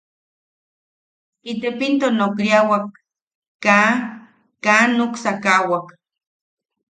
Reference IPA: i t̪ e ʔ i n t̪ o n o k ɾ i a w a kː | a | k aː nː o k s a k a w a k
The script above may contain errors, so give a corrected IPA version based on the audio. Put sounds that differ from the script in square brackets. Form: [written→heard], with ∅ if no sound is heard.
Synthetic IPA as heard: i t̪ e [ʔ→p] i n t̪ o n o k ɾ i a w a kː | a | k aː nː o k s a k a w a k

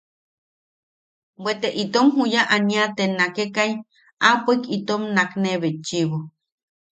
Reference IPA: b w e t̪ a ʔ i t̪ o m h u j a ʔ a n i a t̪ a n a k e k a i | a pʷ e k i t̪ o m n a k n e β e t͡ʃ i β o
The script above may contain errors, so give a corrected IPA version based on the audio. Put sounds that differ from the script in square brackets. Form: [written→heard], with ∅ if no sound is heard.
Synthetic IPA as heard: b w e t̪ [a→e] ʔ i t̪ o m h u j a ʔ a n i a t̪ [a→e] n a k e k a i | a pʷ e k i t̪ o m n a k n e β e t͡ʃ i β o

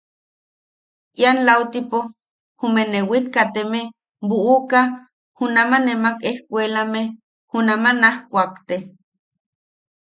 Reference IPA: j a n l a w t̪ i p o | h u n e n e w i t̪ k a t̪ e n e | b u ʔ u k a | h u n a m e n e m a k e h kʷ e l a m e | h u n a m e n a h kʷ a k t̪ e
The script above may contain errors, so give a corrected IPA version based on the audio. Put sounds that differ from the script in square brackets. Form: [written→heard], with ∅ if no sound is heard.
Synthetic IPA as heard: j a n l a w t̪ i p o | h u [n→m] e n e w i t̪ k a t̪ e [n→m] e | b u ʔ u k a | h u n a m [e→a] n e m a k e h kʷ e l a m e | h u n a m [e→a] n a h kʷ a k t̪ e

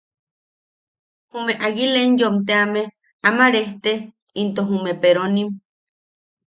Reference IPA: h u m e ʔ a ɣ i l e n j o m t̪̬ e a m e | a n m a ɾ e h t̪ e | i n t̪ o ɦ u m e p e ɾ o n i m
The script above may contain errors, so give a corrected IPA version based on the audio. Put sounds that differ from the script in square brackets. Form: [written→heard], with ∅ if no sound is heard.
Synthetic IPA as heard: h u m e ʔ a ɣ i l e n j o m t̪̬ e a m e | a [n→∅] m a ɾ e h t̪ e | i n t̪ o ɦ u m e p e ɾ o n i m

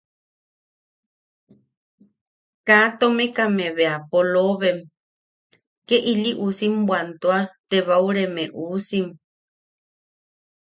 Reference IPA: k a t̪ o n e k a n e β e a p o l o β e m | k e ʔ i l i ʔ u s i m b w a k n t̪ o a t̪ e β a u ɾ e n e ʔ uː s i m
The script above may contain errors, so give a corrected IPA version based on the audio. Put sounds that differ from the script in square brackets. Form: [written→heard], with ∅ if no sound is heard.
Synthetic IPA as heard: k a t̪ o [n→m] e k a [n→m] e β e a p o l o β e m | k e ʔ i l i ʔ u s i m b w a [k→∅] n t̪ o a t̪ e β a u ɾ e [n→m] e ʔ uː s i m

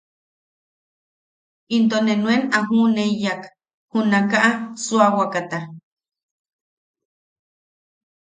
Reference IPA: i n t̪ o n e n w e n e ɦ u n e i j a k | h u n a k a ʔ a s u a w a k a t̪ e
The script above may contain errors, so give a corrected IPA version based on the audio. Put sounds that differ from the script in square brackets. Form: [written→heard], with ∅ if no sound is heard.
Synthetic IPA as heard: i n t̪ o n e n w e n [e→a] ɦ u n e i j a k | h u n a k a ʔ a s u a w a k a t̪ [e→a]

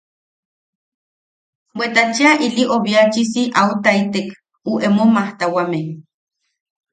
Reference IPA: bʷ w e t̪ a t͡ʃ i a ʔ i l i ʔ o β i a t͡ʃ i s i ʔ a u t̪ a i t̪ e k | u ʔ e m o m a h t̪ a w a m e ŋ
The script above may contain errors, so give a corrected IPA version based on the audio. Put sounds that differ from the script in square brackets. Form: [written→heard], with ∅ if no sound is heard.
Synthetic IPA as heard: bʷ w e t̪ a t͡ʃ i a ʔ i l i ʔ o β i a t͡ʃ i s i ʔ a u t̪ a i t̪ e k | u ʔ e m o m a h t̪ a w a m e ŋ

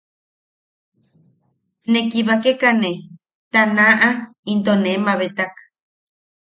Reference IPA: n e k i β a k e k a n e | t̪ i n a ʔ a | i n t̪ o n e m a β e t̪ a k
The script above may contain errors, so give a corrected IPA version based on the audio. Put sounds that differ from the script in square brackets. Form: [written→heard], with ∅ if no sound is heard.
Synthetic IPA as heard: n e k i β a k e k a n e | t̪ [i→a] n a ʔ a | i n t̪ o n e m a β e t̪ a k

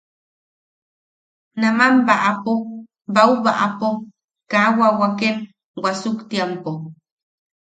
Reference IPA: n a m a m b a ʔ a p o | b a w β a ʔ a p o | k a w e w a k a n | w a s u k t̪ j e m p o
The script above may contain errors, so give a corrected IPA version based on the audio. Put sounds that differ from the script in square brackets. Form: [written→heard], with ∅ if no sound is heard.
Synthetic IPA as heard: n a m a m b a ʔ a p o | b a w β a ʔ a p o | k a w [e→a] w a k [a→e] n | w a s u k t̪ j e m p o

